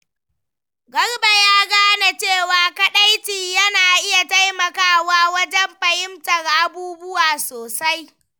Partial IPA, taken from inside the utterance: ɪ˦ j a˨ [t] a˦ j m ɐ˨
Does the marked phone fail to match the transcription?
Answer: no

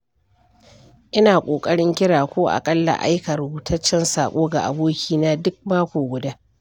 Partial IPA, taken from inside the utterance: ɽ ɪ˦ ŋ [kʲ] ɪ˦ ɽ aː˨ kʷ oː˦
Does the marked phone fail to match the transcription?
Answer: no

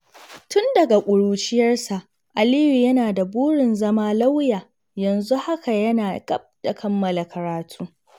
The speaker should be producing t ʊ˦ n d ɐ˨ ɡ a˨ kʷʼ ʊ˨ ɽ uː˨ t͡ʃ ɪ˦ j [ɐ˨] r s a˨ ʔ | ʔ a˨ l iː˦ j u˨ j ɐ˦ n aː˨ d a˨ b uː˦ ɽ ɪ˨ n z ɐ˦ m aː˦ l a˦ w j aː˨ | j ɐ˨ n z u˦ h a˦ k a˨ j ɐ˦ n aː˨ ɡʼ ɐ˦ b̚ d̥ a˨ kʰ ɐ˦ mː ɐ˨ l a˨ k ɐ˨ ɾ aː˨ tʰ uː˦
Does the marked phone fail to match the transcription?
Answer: yes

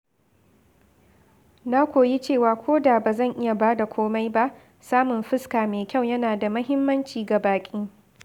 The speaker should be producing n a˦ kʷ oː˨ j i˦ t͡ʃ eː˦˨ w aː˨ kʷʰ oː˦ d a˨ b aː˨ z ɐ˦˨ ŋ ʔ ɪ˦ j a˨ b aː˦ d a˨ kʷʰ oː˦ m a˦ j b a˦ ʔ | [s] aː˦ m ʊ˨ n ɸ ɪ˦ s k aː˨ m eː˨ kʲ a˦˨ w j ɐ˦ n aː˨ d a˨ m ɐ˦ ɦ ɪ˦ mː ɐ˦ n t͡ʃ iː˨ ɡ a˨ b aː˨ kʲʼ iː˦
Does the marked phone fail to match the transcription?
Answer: no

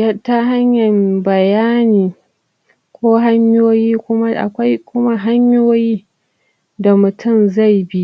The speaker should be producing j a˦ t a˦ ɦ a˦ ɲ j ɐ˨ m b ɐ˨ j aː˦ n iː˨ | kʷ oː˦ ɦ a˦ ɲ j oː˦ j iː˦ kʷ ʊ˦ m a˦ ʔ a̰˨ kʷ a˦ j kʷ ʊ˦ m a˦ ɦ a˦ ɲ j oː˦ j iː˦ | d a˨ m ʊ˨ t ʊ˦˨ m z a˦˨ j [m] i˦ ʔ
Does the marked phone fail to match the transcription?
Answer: yes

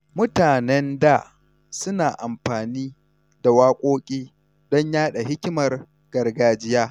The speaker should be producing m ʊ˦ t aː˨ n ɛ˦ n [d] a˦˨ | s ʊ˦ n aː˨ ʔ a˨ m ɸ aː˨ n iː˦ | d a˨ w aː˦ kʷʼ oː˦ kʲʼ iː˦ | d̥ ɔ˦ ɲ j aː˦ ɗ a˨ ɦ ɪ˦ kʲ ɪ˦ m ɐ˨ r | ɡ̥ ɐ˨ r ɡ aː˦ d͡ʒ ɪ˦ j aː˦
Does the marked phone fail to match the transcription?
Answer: no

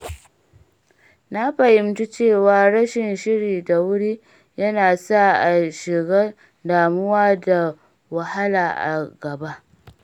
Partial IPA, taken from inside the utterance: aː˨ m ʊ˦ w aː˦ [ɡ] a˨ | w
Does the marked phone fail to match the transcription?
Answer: yes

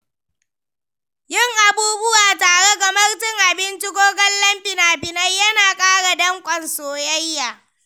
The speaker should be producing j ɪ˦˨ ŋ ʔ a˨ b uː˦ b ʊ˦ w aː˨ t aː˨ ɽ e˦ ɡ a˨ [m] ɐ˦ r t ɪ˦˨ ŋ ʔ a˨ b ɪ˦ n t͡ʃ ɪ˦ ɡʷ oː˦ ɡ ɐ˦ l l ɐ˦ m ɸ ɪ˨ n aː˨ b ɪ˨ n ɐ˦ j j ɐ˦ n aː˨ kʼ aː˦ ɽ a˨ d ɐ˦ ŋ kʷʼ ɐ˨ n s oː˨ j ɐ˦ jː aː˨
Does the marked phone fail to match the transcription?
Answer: no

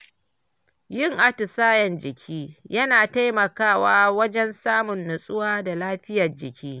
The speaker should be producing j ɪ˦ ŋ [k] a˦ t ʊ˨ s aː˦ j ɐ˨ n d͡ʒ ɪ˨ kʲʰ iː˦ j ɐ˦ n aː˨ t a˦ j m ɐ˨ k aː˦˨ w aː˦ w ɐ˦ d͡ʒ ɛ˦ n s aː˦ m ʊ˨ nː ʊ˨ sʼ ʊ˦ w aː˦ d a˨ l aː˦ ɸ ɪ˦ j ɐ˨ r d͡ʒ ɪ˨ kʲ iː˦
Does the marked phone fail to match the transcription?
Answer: yes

